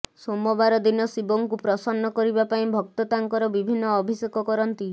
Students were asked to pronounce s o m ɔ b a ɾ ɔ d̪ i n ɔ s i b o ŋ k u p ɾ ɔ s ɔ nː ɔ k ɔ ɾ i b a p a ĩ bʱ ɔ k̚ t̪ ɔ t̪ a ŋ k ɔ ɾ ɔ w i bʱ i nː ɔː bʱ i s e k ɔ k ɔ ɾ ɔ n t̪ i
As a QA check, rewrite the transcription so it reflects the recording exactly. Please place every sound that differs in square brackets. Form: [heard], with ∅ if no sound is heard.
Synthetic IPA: s o m ɔ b a ɾ ɔ d̪ i n ɔ s i b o ŋ k u p ɾ ɔ s ɔ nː ɔ k ɔ ɾ i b a p a ĩ bʱ ɔ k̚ t̪ ɔ t̪ a ŋ k ɔ ɾ ɔ [b] i bʱ i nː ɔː bʱ i s e k ɔ k ɔ ɾ ɔ n t̪ i